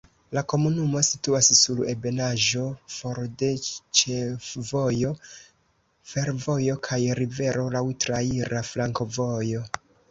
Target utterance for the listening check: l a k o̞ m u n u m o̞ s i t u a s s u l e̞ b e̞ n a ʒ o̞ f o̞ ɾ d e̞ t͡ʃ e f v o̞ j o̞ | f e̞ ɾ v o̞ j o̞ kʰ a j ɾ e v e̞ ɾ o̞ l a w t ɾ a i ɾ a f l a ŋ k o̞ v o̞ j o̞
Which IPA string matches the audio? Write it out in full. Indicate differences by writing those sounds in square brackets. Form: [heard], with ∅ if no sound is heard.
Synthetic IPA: l a k o̞ m u n u m o̞ s i t u a s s u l e̞ b e̞ n a ʒ o̞ f o̞ ɾ d e̞ t͡ʃ e f v o̞ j o̞ | f e̞ ɾ v o̞ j o̞ kʰ a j ɾ [i] v e̞ ɾ o̞ l a w t ɾ a i ɾ a f l a ŋ k o̞ v o̞ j o̞